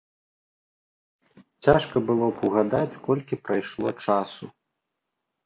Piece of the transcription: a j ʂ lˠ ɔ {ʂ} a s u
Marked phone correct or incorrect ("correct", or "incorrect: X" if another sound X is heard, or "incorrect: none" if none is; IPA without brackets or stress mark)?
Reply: incorrect: t͡ʂ